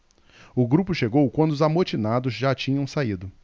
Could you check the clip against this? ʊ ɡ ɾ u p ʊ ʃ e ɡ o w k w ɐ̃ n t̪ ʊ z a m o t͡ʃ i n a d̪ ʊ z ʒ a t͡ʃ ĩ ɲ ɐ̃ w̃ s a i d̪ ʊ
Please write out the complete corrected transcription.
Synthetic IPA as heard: ʊ ɡ ɾ u p ʊ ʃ e ɡ o w k w ɐ̃ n d̪ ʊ z a m o t͡ʃ i n a d̪ ʊ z ʒ a t͡ʃ ĩ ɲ ɐ̃ w̃ s a i d̪ ʊ